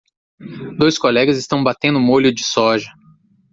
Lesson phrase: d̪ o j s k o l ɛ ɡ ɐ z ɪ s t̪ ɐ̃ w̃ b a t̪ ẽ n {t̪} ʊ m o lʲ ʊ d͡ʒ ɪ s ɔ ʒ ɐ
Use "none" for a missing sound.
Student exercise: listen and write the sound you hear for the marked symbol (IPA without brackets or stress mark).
d̪